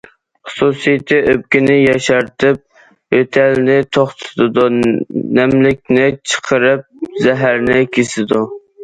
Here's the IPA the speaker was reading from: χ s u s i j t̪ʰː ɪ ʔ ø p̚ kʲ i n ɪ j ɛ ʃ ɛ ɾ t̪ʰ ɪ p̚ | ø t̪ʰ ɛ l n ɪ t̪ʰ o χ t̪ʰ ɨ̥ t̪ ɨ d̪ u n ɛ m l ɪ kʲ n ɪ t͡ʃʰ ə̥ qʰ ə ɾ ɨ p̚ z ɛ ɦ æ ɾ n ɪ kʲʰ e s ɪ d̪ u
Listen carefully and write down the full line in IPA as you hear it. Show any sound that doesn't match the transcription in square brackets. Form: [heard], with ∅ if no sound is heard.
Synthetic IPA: χ s u s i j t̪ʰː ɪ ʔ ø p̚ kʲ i n ɪ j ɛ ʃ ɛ ɾ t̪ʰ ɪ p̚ | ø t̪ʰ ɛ l n ɪ t̪ʰ o χ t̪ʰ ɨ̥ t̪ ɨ d̪ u n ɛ m l ɪ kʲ n ɪ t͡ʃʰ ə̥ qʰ ə ɾ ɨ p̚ z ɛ ɦ æ ɾ n ɪ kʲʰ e s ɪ d̪ u

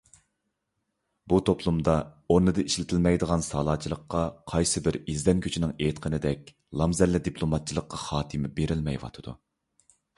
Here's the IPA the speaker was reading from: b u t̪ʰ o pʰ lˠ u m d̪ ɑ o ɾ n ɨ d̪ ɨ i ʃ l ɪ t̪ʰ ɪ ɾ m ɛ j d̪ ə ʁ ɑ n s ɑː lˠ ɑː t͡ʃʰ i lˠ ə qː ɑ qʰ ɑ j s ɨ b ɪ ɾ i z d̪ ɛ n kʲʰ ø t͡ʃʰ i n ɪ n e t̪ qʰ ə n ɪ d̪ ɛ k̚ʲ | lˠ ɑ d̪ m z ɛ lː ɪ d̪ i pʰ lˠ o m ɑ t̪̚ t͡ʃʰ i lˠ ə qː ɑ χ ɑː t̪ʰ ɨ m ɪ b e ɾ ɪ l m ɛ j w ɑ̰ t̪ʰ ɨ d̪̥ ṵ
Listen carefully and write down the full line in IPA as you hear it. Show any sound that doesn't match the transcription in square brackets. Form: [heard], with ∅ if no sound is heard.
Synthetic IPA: b u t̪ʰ o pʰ lˠ u m d̪ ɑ o ɾ n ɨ d̪ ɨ i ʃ l ɪ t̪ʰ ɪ [l] m ɛ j d̪ ə ʁ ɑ n s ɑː lˠ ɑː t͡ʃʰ i lˠ ə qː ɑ qʰ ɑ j s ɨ b ɪ ɾ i z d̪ ɛ n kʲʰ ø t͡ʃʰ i n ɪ [ŋ] e t̪ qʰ ə n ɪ d̪ ɛ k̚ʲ | lˠ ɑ [∅] m z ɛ lː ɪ d̪ i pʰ lˠ o m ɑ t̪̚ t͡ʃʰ i lˠ ə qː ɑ χ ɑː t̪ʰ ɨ m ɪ b e ɾ ɪ l m ɛ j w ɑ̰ t̪ʰ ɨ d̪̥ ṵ

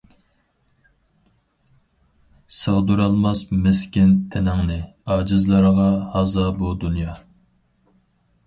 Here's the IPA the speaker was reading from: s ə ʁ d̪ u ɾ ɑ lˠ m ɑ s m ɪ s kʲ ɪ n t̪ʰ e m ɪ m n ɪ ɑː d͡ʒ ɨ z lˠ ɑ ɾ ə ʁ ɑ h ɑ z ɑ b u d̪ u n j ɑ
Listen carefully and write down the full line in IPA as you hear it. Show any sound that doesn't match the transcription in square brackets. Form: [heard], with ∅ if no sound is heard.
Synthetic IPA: s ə ʁ d̪ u ɾ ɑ lˠ m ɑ s m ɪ s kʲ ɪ n t̪ʰ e [n] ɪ [ŋ] n ɪ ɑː d͡ʒ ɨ z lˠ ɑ ɾ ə ʁ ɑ h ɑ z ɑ b u d̪ u n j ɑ

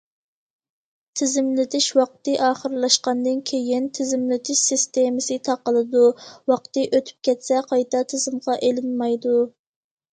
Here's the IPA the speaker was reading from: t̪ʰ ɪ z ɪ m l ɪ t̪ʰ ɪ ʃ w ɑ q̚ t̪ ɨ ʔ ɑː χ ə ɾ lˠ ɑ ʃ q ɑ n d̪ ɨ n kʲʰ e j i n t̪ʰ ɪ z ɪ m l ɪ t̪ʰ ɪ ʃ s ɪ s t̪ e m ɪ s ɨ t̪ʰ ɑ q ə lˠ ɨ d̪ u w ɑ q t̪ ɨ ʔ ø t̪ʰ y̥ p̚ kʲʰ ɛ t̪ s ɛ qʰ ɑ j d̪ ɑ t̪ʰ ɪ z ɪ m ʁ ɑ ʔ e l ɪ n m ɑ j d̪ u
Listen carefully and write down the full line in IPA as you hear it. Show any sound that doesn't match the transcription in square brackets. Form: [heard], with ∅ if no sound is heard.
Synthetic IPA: t̪ʰ ɪ z ɪ m l ɪ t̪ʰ ɪ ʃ w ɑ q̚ t̪ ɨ ʔ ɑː χ ə ɾ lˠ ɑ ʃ q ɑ n d̪ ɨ n kʲʰ e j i n t̪ʰ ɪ z ɪ m l ɪ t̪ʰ ɪ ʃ s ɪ s t̪ e m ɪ s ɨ t̪ʰ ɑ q ə lˠ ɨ d̪ u w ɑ q t̪ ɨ ʔ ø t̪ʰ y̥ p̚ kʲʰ ɛ t̪ s ɛ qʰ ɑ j [t̪] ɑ t̪ʰ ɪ z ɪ m ʁ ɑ ʔ e l ɪ n m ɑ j d̪ u

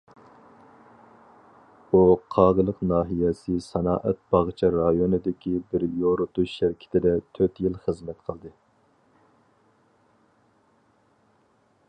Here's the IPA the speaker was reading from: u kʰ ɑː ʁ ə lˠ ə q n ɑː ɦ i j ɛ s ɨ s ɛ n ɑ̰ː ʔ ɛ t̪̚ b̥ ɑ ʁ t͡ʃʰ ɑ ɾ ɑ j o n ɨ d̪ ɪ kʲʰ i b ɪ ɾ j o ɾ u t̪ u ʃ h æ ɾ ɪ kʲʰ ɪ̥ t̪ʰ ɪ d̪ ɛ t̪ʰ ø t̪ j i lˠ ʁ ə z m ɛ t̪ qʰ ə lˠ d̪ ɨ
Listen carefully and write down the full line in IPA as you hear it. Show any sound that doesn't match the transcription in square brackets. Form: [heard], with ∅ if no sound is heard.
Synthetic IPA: u [qʰ] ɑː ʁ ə lˠ ə q n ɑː ɦ i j ɛ s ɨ s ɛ n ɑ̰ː ʔ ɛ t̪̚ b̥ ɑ ʁ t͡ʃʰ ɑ ɾ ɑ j o n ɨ d̪ ɪ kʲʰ i b ɪ ɾ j o ɾ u t̪ u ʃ [ʃ] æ ɾ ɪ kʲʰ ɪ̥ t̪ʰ ɪ d̪ ɛ t̪ʰ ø t̪ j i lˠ [χ] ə z m ɛ t̪ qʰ ə lˠ d̪ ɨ

